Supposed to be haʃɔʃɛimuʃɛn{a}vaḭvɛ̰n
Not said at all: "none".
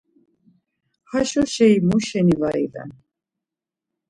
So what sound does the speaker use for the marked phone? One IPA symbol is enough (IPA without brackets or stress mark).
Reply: i